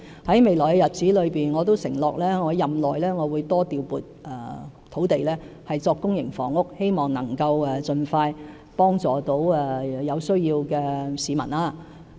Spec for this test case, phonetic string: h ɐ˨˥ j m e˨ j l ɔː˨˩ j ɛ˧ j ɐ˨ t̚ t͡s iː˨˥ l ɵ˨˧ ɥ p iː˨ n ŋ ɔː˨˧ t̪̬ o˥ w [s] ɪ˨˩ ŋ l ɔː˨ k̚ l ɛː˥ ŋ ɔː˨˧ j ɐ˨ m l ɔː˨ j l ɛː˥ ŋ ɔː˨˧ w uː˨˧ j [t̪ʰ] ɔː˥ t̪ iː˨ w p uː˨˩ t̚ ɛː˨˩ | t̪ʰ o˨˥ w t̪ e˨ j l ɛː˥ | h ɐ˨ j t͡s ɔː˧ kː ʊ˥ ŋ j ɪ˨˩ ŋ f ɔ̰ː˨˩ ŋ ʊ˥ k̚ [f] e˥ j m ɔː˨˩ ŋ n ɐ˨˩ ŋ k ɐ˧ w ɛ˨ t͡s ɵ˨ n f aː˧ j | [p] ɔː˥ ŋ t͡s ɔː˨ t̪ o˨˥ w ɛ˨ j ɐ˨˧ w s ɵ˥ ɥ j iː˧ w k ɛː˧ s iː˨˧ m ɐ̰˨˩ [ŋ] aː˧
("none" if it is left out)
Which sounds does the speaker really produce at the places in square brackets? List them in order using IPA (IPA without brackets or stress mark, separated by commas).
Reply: s, t̪, h, p, n